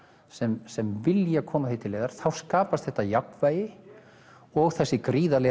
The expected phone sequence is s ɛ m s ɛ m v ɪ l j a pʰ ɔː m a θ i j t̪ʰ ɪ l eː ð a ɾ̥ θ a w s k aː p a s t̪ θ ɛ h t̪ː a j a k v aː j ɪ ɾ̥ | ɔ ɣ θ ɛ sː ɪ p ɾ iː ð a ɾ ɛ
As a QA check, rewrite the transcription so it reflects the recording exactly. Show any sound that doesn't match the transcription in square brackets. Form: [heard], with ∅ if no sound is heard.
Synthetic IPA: s ɛ m s ɛ m v ɪ l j a [kʰ] ɔː m a θ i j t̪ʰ ɪ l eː ð a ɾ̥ θ a w s k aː p a s t̪ θ ɛ h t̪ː a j a k v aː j ɪ [∅] | ɔ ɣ θ ɛ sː ɪ [k] ɾ iː ð a [l] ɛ